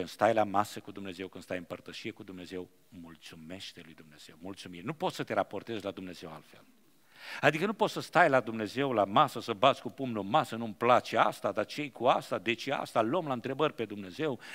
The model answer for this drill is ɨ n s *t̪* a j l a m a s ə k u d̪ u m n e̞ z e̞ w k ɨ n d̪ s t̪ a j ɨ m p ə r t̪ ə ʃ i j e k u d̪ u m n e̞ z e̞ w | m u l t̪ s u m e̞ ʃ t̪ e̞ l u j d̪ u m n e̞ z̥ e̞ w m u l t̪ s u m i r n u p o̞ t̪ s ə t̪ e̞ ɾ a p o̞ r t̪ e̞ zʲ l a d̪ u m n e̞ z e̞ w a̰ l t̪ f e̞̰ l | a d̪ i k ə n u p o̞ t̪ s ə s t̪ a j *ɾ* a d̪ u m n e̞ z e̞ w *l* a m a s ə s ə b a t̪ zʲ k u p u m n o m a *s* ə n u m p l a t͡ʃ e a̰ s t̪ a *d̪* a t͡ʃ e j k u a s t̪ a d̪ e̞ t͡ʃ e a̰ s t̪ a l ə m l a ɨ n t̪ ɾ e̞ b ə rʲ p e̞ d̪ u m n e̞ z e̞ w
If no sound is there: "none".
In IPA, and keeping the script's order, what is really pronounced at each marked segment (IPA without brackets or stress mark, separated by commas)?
t̪, l, l, s, d̪